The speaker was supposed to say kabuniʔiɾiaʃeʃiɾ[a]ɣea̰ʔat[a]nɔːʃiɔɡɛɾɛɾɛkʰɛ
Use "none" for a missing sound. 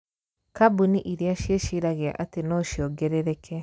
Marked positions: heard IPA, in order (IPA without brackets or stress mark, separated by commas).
a, e